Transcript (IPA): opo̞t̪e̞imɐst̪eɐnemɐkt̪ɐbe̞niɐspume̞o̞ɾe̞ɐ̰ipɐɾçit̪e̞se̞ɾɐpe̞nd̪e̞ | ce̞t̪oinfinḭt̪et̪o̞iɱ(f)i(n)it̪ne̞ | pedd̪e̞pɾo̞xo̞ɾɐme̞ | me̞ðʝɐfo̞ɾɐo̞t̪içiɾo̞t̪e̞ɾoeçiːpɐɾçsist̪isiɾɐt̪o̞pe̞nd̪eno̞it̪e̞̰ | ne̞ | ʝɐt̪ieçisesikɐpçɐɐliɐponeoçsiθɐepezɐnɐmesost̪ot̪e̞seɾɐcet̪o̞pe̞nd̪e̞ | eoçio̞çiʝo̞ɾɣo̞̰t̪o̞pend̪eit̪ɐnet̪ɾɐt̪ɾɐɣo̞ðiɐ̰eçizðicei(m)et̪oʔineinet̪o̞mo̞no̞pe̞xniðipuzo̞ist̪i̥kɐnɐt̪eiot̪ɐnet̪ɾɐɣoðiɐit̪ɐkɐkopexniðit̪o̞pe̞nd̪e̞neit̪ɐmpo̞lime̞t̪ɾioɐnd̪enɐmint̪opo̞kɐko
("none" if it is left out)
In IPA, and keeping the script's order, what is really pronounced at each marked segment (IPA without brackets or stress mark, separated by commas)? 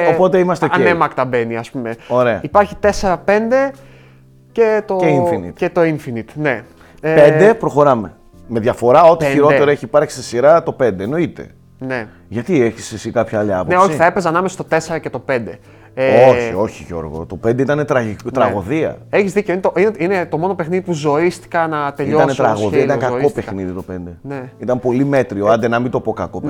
f, n, n